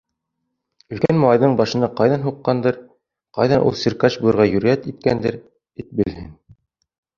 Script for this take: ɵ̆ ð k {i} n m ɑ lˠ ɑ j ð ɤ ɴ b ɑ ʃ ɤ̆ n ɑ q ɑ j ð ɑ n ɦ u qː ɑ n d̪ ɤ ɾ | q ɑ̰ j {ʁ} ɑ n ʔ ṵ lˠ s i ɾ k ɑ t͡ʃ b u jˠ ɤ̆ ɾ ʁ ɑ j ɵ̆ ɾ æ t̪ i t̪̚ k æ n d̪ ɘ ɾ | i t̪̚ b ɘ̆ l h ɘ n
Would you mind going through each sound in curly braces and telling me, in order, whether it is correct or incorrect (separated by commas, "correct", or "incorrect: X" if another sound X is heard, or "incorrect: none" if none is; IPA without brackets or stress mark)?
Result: incorrect: æ, incorrect: ð